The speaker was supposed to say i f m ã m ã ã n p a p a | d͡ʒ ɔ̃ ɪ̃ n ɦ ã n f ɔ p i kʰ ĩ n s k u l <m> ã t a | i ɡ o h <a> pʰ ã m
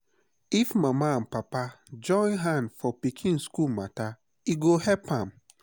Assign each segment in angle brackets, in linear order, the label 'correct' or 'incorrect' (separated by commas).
correct, incorrect